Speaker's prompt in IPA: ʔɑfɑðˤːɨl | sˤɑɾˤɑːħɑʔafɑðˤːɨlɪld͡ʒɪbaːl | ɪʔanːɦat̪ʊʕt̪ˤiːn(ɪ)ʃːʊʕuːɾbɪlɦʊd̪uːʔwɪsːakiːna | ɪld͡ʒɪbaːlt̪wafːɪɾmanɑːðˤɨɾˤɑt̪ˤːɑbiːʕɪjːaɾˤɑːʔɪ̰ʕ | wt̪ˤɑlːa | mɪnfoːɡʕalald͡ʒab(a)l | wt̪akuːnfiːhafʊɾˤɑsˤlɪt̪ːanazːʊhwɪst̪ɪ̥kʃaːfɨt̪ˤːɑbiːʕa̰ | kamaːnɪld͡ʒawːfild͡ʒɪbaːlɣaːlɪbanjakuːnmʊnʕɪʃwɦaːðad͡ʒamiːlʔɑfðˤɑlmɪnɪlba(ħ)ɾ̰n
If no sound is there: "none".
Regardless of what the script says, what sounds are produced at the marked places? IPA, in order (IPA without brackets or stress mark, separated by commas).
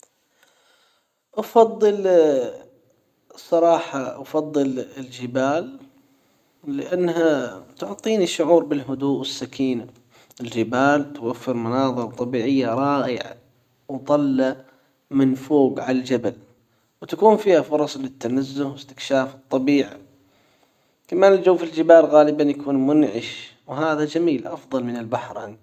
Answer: i, a, ħ